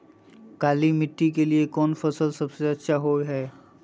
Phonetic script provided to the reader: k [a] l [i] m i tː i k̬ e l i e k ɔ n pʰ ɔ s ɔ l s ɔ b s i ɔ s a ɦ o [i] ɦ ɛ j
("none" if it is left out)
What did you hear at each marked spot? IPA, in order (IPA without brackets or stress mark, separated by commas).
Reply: a, i, j